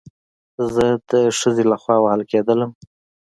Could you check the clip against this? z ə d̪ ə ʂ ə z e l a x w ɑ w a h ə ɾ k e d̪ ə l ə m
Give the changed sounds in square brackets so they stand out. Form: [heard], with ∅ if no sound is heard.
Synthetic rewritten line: z ə d̪ ə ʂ ə z e l a x w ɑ w a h ə [l] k e d̪ ə l ə m